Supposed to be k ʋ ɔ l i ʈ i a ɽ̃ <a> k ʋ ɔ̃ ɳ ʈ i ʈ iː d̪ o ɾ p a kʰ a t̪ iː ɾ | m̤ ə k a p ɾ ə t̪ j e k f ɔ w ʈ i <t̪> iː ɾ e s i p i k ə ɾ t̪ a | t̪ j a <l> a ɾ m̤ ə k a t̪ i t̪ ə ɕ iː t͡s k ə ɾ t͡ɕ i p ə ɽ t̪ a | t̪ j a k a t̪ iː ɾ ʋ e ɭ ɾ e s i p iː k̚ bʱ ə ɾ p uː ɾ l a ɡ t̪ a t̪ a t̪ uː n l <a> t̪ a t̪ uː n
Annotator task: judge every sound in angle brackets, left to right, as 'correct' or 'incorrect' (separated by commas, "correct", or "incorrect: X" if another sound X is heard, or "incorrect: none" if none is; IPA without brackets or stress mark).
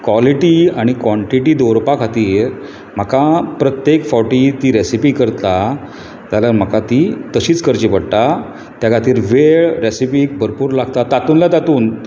incorrect: i, correct, correct, correct